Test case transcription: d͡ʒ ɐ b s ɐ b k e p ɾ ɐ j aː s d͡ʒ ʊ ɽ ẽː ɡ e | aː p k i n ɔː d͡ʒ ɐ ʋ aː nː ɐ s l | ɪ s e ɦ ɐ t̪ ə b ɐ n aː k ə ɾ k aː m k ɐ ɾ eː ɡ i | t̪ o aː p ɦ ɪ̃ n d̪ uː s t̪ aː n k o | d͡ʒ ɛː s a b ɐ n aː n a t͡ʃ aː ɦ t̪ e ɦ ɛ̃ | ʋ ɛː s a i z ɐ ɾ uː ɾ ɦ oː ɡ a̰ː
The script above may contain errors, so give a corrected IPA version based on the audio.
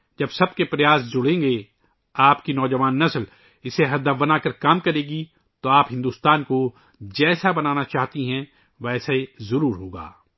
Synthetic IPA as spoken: d͡ʒ ɐ b s ɐ b k e p ɾ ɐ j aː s d͡ʒ ʊ ɽ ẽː ɡ e | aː p k i n ɔː d͡ʒ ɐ ʋ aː nː ɐ s l | ɪ s e ɦ ɐ d̪ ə b ɐ n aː k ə ɾ k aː m k ɐ ɾ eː ɡ i | t̪ o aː p ɦ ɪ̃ n d̪ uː s t̪ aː n k o | d͡ʒ ɛː s a b ɐ n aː n a t͡ʃ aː ɦ t̪ i ɦ ɛ̃ | ʋ ɛː s a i z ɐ ɾ uː ɾ ɦ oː ɡ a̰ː

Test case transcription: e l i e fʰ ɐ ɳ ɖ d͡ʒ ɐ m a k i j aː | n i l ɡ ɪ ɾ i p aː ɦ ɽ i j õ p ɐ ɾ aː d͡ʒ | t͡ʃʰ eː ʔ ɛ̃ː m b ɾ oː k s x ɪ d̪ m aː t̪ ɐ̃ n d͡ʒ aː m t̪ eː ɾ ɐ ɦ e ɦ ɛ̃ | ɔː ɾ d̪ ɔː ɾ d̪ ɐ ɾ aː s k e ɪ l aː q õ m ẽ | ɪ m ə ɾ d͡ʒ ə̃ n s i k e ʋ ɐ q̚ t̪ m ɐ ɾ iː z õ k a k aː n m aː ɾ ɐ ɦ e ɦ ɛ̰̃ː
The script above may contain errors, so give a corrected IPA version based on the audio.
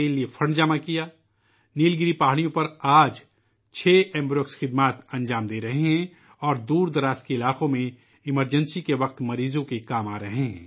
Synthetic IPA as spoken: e l i e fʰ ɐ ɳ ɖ d͡ʒ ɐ m a k i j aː | n iː l ɡ ɪ ɾ i p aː ɦ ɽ i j õ p ɐ ɾ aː d͡ʒ | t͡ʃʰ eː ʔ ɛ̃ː m b ɾ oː k s x ɪ d̪ m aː t̪ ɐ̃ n d͡ʒ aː m d̪ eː ɾ ɐ ɦ e ɦ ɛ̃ | ɔː ɾ d̪ uː ɾ d̪ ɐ ɾ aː s k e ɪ l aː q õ m ẽ | ɪ m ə ɾ d͡ʒ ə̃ n s i k e ʋ ɐ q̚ t̪ m ɐ ɾ iː z õ k e k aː m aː ɾ ɐ ɦ e ɦ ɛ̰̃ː

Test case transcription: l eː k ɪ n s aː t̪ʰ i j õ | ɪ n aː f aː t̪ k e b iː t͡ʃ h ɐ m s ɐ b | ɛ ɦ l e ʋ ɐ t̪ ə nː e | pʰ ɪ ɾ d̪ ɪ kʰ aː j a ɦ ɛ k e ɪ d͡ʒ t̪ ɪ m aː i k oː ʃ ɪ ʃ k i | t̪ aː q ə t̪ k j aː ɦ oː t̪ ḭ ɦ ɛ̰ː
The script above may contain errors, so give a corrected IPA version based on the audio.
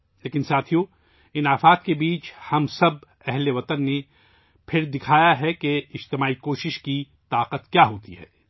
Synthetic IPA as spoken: l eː k ɪ n s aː t̪ʰ i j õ | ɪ n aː f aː t̪ k e b iː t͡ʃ h ɐ m s ɐ b | ɛ ɦ l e ʋ ɐ t̪ ə nː e | pʰ ɪ ɾ d̪ ɪ kʰ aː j a ɦ ɛ k e ɪ d͡ʒ t̪ ɪ m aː i k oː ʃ ɪ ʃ k i | t̪ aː q ə t̪ k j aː ɦ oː t̪ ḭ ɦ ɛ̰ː

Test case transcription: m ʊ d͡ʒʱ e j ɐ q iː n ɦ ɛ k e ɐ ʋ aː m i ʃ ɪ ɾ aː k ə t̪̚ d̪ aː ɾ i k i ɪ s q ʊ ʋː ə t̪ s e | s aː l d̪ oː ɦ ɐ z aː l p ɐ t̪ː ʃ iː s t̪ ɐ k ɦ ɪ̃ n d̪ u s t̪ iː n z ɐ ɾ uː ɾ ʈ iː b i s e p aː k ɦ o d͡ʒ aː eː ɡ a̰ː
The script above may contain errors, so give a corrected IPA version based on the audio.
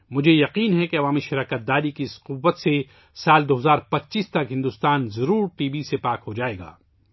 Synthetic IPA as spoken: m ʊ d͡ʒʱ e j ɐ q iː n ɦ ɛ k e ɐ ʋ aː m i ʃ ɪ ɾ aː k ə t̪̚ d̪ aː ɾ i k i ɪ s q ʊ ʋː ə t̪ s e | s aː l d̪ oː ɦ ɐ z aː ɾ p ɐ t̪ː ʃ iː s t̪ ɐ k ɦ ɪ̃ n d̪ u s t̪ aː n z ɐ ɾ uː ɾ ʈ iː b i s e p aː k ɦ o d͡ʒ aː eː ɡ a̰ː

